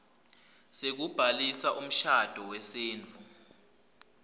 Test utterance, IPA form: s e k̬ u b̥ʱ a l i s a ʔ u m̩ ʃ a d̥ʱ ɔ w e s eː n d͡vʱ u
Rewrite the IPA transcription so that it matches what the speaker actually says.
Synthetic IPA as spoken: s e k̬ u b̥ʱ a l i s a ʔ u m̩ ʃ a d̥ʱ ɔ w ɛ s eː n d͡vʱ u